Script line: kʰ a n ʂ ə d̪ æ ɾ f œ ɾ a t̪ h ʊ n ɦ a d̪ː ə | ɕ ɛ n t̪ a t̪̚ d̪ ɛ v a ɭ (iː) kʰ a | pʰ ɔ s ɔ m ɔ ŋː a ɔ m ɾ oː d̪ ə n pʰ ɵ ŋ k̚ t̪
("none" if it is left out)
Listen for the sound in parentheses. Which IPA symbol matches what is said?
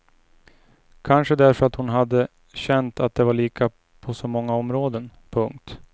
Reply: iː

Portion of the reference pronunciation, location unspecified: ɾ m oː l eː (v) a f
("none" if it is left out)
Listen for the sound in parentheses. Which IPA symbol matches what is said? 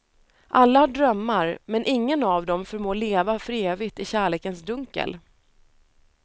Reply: v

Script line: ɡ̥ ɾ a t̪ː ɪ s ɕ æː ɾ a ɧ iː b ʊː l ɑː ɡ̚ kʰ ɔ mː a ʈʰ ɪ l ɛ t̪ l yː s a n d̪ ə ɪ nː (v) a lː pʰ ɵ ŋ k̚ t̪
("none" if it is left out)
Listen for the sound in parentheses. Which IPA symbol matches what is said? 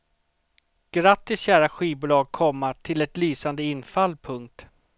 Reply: f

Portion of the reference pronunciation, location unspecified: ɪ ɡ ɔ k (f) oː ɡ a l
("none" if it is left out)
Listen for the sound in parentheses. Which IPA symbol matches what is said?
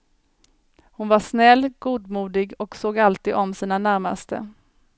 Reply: s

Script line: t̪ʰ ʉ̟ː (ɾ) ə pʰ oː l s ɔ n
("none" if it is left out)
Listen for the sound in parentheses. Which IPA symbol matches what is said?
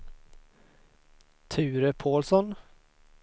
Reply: ɾ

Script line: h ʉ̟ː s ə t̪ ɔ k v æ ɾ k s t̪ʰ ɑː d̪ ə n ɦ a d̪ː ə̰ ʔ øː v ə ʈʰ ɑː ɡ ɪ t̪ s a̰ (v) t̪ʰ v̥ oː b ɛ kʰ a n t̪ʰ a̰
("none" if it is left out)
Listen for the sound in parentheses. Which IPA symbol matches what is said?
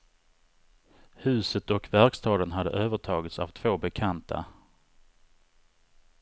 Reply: v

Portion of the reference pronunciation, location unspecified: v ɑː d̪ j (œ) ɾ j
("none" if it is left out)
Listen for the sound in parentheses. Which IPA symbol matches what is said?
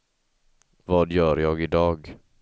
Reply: œː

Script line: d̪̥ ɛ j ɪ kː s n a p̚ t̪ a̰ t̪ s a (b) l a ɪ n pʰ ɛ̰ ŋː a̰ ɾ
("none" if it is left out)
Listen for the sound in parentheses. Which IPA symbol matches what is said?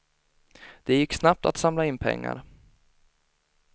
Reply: m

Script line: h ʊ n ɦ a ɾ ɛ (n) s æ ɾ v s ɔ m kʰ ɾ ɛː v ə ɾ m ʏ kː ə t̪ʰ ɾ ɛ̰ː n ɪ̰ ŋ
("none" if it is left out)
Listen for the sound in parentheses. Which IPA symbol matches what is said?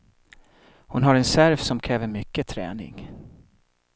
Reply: n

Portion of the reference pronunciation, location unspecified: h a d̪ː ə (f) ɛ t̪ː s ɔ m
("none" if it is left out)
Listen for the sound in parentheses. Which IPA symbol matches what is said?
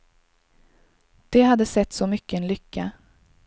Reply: s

